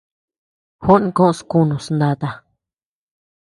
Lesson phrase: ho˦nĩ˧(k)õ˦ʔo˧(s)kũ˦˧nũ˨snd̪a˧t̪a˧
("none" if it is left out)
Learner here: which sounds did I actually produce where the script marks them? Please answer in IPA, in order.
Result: k, s

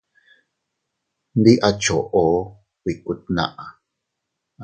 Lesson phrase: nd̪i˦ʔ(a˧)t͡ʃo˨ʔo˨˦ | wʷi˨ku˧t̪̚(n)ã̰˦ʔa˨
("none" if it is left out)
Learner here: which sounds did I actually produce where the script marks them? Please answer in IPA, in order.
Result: a˧, n

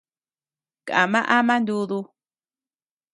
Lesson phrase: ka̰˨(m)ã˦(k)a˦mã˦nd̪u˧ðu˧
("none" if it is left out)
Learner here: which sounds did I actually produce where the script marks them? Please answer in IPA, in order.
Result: m, ʔ

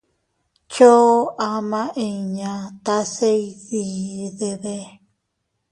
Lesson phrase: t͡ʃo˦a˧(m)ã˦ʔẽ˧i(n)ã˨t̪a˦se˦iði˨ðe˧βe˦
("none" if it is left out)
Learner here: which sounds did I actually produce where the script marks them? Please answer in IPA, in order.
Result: m, ɲ

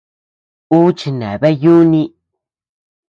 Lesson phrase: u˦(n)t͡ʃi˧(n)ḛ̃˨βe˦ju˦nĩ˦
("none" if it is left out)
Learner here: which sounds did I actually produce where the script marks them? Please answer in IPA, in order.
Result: none, n

